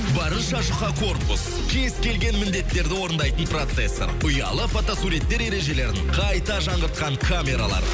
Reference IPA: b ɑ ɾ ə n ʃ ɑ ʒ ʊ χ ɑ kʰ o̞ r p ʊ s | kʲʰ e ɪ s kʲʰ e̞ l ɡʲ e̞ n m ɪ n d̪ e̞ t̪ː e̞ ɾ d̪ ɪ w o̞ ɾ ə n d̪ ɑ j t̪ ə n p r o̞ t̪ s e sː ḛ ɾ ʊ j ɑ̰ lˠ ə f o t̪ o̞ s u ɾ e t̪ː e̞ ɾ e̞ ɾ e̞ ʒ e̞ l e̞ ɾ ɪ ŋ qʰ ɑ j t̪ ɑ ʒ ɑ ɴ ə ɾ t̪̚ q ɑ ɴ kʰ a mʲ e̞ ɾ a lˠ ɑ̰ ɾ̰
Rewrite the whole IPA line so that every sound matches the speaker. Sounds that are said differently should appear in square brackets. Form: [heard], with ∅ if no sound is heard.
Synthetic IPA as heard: b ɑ ɾ ə n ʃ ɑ ʒ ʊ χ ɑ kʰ o̞ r p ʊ s | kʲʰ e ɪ s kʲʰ e̞ l ɡʲ e̞ n m ɪ n d̪ e̞ t̪ː e̞ ɾ d̪ ɪ w o̞ ɾ ə n d̪ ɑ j t̪ ə n p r o̞ t̪ s e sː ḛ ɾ ʊ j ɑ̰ lˠ ə f o t̪ o̞ s u ɾ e t̪ː e̞ ɾ e̞ ɾ e̞ ʒ e̞ l e̞ ɾ ɪ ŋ qʰ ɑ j t̪ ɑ ʒ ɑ ɴ ə ɾ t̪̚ q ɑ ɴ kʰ a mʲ e̞ ɾ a lˠ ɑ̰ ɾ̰

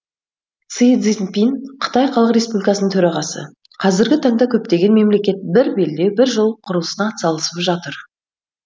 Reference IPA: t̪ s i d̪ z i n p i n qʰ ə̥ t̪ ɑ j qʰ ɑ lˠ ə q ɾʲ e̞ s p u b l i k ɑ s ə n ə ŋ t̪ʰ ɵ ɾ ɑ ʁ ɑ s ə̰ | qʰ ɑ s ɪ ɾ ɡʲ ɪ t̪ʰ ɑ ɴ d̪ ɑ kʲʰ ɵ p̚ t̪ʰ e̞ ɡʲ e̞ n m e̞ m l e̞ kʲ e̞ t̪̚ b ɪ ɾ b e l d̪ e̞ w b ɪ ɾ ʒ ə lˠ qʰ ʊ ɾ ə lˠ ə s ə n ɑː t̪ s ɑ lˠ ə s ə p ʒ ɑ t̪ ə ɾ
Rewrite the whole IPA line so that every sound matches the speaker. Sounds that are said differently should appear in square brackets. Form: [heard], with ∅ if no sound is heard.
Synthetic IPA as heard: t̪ s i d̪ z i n p i n qʰ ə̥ t̪ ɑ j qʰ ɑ lˠ ə q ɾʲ e̞ s p u b l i k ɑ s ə n ə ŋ t̪ʰ ɵ ɾ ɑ ʁ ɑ s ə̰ | qʰ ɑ [z] ɪ ɾ ɡʲ ɪ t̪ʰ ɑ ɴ d̪ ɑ kʲʰ ɵ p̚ [t̪] e̞ ɡʲ e̞ n m e̞ m l e̞ kʲ e̞ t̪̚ b ɪ ɾ b e l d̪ e̞ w b ɪ ɾ ʒ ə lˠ qʰ ʊ ɾ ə lˠ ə s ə n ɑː t̪ s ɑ lˠ ə s ə p ʒ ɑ t̪ ə ɾ

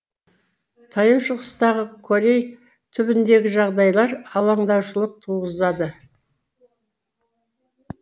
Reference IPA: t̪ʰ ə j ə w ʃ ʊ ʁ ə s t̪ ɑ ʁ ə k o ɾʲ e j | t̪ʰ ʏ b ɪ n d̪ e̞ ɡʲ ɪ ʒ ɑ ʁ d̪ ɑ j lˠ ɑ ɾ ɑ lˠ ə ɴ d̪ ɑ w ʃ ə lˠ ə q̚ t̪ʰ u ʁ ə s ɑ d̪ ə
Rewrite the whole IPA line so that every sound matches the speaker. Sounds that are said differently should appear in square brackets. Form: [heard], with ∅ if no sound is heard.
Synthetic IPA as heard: t̪ʰ [ɑ] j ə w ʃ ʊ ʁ ə s t̪ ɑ ʁ ə [kʰ] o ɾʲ e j | t̪ʰ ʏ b ɪ n d̪ e̞ ɡʲ ɪ ʒ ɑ ʁ d̪ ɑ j lˠ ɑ ɾ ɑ lˠ [ɑ] ɴ d̪ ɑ w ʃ ə lˠ ə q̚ t̪ʰ u ʁ ə [z] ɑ d̪ ə

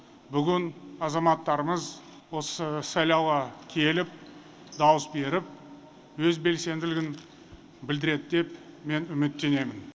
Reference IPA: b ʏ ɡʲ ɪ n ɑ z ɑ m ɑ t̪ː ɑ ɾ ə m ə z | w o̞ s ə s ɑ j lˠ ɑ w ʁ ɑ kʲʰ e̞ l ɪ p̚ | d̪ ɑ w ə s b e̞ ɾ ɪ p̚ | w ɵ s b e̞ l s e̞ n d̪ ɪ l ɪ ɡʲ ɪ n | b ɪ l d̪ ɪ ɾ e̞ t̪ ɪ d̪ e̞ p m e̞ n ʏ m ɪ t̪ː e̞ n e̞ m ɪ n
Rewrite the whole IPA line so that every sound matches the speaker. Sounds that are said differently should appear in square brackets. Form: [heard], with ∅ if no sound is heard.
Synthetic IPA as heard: b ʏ ɡʲ ɪ n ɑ z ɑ m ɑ t̪ː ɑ ɾ ə m ə z | w o̞ s ə s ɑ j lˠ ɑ w ʁ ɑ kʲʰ e̞ l ɪ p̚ | d̪ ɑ w ə s b e̞ ɾ ɪ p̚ | w ɵ [z] b e̞ l s e̞ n d̪ ɪ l ɪ ɡʲ ɪ n | b ɪ l d̪ ɪ ɾ e̞ [d̪] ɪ d̪ e̞ p m e̞ n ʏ m ɪ t̪ː e̞ n e̞ m ɪ n

